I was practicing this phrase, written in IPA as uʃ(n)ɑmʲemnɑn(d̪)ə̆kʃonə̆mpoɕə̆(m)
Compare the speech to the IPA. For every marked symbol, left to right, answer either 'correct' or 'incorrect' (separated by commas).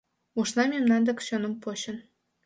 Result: correct, correct, incorrect